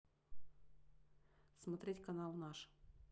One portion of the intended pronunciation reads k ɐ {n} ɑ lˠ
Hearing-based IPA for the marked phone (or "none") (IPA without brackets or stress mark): n